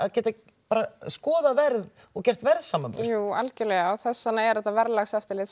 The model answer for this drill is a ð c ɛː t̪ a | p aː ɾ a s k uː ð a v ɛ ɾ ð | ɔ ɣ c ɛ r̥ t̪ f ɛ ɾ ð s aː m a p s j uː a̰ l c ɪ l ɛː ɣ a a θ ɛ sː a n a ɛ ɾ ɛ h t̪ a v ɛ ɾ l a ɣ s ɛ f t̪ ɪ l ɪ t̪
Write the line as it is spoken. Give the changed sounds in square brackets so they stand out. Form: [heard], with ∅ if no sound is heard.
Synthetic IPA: a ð c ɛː t̪ a | p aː ɾ a s k [ɔː] ð a v ɛ ɾ ð | ɔ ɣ c ɛ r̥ t̪ [v] ɛ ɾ ð s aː m a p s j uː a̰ l c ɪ l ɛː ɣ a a θ ɛ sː a n a ɛ ɾ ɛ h t̪ a v ɛ ɾ l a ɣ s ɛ f t̪ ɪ l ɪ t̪

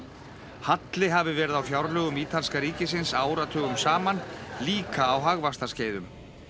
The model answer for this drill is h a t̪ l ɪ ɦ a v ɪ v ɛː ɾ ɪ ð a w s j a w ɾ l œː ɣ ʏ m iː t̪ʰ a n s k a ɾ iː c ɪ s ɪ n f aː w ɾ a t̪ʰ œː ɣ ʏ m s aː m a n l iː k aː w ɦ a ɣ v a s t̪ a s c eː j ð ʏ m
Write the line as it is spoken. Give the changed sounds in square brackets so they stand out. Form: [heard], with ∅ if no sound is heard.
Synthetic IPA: h a t̪ l ɪ ɦ a v ɪ v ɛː ɾ ɪ ð a w [f] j a w ɾ l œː ɣ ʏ m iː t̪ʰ a n s k a ɾ iː c ɪ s ɪ n [s] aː w ɾ a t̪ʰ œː ɣ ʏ m s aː m a n l iː k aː w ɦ a ɣ v a s t̪ a s c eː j ð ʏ m

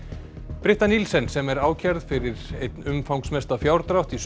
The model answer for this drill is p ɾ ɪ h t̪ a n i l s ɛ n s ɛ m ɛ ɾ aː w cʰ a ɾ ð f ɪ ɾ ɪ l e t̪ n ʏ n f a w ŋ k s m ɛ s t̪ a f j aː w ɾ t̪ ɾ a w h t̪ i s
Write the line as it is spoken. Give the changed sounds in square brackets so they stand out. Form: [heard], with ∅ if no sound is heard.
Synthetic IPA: p ɾ ɪ h t̪ a n i l s ɛ n s ɛ m ɛ ɾ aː w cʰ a ɾ ð f ɪ ɾ ɪ [ɾ] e t̪ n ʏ [m] f a w ŋ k s m ɛ s t̪ a f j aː w ɾ t̪ ɾ a w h t̪ i s

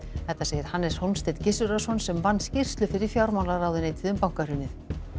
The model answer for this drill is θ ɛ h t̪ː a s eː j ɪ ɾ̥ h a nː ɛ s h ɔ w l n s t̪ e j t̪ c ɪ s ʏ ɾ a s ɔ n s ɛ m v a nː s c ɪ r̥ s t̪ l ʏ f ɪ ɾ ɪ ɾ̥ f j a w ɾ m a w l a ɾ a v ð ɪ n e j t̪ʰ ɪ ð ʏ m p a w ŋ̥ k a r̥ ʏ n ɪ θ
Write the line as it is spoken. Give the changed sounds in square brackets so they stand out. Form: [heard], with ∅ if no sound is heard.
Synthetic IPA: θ ɛ h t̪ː a s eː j ɪ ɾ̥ h a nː ɛ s h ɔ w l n s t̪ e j t̪ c ɪ s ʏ ɾ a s ɔ n s ɛ m v a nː s c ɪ r̥ s t̪ l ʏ f ɪ ɾ ɪ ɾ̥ f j a w ɾ m a w l a ɾ a [w] ð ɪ n e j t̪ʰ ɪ ð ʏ m p a w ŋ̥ k a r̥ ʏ n ɪ θ

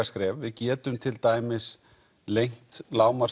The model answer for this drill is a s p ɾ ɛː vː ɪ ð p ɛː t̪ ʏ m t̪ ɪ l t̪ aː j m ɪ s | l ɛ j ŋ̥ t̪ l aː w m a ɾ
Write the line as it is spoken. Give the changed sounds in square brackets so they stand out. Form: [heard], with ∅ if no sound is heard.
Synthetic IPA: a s [k] ɾ ɛː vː ɪ ð [c] ɛː t̪ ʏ m [t̪ʰ] ɪ l t̪ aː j m ɪ s | l [e] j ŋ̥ t̪ l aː w m a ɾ

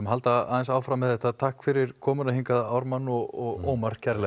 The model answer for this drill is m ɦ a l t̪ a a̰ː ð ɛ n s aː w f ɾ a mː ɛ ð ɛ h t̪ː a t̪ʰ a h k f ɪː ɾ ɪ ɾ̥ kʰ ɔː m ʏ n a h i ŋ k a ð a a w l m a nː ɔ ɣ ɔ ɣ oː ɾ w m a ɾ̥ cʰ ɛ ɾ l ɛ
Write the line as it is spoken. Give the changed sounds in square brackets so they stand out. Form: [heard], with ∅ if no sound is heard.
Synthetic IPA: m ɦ a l t̪ a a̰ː ð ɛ n s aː w f ɾ a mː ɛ ð ɛ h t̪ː a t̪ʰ a h k f [ɪ] ɾ ɪ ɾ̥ kʰ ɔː m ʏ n a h i ŋ k a ð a a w [ɾ] m a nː ɔ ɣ ɔ ɣ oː [∅] w m a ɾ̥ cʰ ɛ ɾ l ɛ

